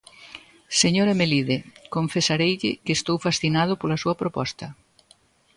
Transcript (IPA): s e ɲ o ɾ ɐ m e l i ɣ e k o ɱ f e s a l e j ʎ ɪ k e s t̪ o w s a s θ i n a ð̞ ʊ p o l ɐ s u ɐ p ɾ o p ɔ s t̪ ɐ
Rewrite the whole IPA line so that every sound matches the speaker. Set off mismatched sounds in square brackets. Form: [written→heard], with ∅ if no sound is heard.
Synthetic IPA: s e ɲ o ɾ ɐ m e l i [ɣ→ð] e k o ɱ f e s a [l→ɾ] e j ʎ ɪ k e s t̪ o w [s→f] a s θ i n a ð̞ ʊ p o l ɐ s u ɐ p ɾ o p ɔ s t̪ ɐ